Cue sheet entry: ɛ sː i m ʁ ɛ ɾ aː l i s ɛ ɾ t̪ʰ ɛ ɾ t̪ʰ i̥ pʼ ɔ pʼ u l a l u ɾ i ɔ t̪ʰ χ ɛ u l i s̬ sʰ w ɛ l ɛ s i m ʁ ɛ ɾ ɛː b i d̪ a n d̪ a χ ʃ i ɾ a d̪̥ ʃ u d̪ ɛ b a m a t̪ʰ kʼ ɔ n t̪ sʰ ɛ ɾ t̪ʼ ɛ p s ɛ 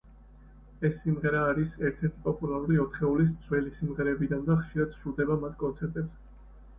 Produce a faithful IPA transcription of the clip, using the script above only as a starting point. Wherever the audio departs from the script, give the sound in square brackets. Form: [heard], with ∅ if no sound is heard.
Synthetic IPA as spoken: ɛ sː i m ʁ ɛ ɾ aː [ɾ] i s ɛ ɾ t̪ʰ ɛ ɾ t̪ʰ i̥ pʼ ɔ pʼ u l a [ɾ] u ɾ i ɔ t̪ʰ χ ɛ u l i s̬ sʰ w ɛ l [i] s i m ʁ ɛ ɾ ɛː b i d̪ a n d̪ a χ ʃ i ɾ a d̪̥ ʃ u d̪ ɛ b a m a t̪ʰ kʼ ɔ n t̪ sʰ ɛ ɾ t̪ʼ ɛ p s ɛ